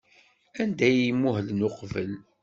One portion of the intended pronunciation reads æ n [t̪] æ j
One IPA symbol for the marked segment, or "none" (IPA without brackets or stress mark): d̪